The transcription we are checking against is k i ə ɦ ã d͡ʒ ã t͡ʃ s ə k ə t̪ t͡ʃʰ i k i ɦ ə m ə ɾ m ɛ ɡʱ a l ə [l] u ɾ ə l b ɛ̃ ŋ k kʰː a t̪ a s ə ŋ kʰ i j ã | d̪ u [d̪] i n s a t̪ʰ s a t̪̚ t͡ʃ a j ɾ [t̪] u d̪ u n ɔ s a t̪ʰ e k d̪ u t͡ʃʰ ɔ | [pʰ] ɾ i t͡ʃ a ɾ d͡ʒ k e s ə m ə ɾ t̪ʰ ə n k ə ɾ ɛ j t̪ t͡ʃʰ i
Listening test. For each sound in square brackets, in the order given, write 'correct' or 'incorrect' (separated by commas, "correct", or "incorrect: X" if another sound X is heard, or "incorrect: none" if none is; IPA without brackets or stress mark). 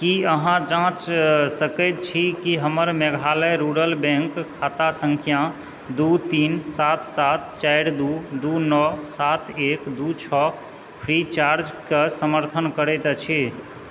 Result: incorrect: ɾ, incorrect: t̪, incorrect: d̪, correct